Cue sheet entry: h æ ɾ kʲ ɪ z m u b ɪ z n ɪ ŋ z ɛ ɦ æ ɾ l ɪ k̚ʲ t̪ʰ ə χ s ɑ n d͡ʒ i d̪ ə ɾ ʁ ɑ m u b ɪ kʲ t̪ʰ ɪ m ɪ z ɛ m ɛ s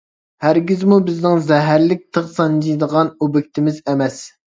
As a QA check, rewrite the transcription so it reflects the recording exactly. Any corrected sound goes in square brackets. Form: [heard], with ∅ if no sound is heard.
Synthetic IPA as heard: h æ ɾ [ɡʲ] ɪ z m u b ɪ z n ɪ ŋ z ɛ ɦ æ ɾ l ɪ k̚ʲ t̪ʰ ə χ s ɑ n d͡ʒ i d̪ ə [∅] ʁ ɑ [n] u b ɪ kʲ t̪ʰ ɪ m ɪ z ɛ m ɛ s